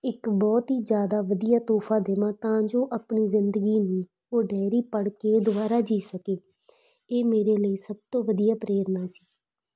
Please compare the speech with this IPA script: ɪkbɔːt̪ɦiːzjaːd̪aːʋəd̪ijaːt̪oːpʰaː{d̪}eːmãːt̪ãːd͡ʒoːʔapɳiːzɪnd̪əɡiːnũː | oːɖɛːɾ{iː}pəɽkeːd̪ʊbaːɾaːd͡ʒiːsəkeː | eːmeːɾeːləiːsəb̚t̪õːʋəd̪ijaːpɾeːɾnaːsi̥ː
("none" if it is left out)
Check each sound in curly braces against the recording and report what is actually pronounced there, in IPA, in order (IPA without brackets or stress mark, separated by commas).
d̪, iː